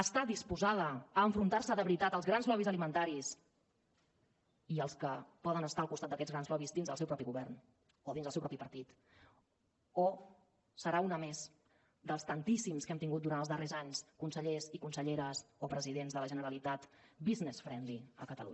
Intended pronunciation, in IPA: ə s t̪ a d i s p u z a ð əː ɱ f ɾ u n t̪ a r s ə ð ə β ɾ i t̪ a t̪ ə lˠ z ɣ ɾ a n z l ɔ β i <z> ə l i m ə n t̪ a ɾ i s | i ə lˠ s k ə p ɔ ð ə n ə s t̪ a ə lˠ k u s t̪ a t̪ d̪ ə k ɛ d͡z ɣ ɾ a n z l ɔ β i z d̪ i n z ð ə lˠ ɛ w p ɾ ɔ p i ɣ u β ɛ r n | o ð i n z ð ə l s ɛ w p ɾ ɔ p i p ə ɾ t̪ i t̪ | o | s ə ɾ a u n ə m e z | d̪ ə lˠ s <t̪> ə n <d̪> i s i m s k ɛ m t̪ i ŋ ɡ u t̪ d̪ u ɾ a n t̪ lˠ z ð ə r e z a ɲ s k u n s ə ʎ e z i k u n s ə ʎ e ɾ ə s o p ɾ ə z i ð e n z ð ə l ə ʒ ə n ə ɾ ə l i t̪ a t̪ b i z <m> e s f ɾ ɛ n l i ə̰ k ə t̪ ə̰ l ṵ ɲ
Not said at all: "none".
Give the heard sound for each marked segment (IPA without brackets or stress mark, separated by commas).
z, t̪, t̪, n